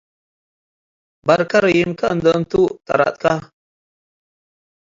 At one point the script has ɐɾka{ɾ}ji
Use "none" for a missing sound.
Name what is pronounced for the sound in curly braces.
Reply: ɾ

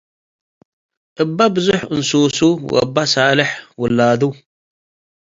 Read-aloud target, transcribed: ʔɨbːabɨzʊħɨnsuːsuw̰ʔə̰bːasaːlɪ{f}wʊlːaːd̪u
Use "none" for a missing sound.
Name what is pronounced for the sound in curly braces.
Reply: ħ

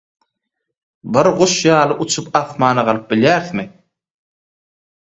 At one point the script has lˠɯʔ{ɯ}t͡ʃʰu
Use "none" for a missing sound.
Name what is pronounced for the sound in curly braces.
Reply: u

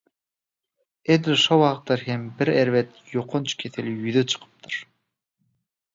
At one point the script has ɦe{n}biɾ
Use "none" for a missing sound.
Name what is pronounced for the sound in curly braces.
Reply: m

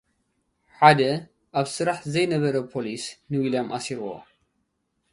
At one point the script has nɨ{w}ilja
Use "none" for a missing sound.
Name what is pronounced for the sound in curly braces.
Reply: w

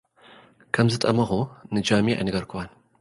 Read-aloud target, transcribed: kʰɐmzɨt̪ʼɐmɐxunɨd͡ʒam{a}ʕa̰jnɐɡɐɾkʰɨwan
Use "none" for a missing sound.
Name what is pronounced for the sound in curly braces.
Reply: i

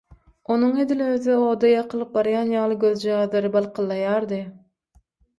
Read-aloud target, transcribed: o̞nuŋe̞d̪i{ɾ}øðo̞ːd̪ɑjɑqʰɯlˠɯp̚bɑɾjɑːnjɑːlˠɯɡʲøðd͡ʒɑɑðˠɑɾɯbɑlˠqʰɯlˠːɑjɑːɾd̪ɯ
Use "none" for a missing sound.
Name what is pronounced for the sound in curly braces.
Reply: l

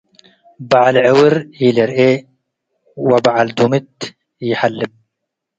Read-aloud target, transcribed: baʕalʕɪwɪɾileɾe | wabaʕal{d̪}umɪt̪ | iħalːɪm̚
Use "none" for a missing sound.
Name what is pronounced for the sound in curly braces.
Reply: d̪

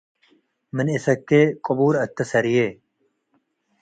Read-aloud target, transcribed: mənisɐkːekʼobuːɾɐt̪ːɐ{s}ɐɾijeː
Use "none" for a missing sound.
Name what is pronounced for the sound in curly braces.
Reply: s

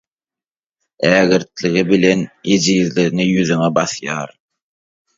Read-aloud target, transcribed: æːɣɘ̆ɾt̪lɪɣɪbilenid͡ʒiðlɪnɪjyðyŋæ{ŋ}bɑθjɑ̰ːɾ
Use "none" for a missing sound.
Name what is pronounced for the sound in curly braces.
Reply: none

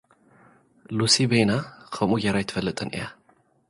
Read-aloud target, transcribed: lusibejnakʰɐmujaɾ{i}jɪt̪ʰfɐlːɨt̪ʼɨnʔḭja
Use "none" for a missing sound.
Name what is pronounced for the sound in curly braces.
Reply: a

